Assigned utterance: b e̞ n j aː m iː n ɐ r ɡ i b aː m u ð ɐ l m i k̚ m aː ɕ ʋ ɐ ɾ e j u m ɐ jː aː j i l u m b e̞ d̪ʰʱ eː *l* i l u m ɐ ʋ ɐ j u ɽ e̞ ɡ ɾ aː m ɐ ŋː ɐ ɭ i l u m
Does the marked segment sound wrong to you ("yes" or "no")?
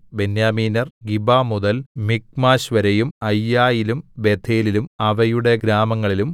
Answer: no